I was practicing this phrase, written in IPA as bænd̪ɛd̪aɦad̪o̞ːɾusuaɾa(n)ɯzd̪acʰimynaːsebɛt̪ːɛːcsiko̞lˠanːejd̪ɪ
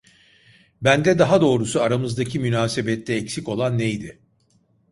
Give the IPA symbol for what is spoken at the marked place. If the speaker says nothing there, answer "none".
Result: m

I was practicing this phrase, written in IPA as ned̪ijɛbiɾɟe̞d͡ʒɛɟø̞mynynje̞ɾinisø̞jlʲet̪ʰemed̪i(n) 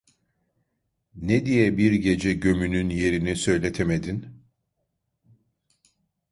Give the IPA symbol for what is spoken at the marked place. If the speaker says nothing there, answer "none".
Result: n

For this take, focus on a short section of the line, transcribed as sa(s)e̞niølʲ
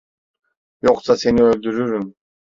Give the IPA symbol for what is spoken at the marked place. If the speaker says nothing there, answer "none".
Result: s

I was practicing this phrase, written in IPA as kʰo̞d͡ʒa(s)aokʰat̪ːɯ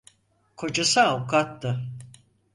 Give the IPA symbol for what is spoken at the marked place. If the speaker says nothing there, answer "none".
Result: s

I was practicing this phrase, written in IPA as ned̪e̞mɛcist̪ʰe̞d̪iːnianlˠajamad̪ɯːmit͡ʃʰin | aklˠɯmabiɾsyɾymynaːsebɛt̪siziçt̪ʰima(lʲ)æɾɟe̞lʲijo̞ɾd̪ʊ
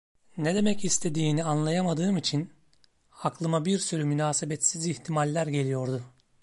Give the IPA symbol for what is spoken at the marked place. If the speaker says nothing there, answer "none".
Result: lʲː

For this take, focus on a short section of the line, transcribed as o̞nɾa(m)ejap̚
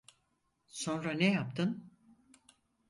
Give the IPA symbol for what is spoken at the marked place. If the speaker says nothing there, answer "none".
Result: n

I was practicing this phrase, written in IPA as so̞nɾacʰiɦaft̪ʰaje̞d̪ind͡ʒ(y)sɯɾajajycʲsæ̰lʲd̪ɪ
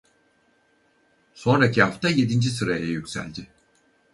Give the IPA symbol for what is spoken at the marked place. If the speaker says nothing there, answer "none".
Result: i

